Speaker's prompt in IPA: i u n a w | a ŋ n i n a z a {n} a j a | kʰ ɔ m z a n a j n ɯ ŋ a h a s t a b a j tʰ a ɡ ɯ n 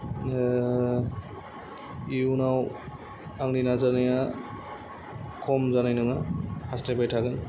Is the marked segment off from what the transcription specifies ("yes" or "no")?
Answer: no